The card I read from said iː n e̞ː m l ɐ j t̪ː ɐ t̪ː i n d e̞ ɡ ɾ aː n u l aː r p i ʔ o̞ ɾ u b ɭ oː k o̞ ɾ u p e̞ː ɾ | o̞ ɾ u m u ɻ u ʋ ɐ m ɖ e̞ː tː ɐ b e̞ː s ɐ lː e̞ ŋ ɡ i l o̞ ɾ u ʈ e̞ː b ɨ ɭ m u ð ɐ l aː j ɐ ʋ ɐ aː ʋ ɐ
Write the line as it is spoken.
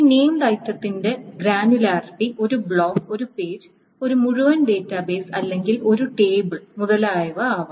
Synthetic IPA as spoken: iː n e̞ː m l ɐ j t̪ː ɐ t̪ː i n d e̞ ɡ ɾ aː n u l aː r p i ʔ o̞ ɾ u b ɭ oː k o̞ ɾ u p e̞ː ɾ | o̞ ɾ u m u ɻ u ʋ ɐ n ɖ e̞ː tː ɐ b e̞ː s ɐ lː e̞ ŋ ɡ i l o̞ ɾ u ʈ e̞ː b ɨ ɭ m u ð ɐ l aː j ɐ ʋ ɐ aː ʋ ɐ